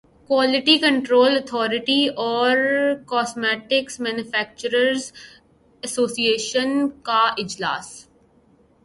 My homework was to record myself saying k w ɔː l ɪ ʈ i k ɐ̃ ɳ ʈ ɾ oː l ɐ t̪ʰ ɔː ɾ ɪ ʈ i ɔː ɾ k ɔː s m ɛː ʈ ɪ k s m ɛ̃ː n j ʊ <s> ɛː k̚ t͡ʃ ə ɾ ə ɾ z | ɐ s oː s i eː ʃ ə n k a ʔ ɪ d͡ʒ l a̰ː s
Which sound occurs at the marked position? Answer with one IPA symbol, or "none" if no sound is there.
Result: f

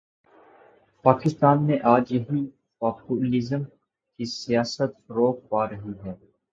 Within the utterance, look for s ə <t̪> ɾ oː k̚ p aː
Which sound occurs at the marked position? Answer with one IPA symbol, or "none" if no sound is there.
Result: t̪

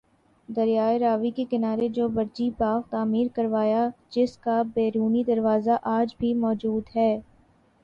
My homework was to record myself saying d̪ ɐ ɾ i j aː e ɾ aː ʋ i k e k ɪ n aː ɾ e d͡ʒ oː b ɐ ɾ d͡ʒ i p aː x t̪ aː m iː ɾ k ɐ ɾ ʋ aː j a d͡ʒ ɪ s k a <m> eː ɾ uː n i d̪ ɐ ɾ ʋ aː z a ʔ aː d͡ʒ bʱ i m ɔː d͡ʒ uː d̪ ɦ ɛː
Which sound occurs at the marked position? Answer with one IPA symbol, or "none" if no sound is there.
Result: b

